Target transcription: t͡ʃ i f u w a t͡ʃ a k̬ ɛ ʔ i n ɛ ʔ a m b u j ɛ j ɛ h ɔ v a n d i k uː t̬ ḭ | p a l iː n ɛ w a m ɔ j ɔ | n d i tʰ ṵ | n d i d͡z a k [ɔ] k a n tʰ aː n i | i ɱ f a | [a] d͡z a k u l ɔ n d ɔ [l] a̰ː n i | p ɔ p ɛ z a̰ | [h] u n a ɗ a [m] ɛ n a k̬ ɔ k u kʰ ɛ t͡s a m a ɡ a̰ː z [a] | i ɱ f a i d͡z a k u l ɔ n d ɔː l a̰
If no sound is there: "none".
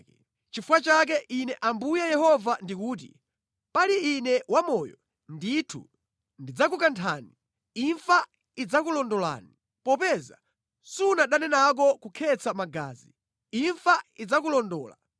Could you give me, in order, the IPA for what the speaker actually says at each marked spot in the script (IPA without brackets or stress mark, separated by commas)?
u, i, l, s, n, i